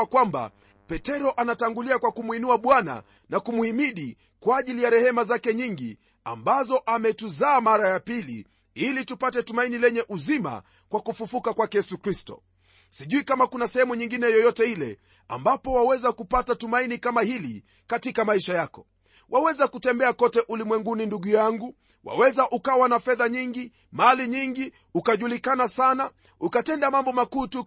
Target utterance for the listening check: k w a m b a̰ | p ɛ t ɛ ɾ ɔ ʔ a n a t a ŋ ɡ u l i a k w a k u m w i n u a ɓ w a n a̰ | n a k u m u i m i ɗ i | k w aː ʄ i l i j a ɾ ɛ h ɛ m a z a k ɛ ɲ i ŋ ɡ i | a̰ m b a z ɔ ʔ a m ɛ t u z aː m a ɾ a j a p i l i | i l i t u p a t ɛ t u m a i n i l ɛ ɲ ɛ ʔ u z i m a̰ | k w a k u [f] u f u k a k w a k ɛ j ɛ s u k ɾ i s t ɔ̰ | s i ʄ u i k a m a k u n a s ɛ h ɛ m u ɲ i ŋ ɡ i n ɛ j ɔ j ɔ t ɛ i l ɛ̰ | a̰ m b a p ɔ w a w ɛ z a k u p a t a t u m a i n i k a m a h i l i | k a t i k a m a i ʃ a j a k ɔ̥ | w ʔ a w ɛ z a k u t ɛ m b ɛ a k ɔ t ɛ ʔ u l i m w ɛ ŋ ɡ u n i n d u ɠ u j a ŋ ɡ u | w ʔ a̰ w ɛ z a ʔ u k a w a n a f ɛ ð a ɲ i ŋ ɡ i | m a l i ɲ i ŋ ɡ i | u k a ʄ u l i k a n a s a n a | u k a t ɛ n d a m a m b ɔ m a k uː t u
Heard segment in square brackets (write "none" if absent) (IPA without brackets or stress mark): f